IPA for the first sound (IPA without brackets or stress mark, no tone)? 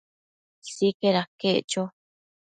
s